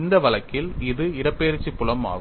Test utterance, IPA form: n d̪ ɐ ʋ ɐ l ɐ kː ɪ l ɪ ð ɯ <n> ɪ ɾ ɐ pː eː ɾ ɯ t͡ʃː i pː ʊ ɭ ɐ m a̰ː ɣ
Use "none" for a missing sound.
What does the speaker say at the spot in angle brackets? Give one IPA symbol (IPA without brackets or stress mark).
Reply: none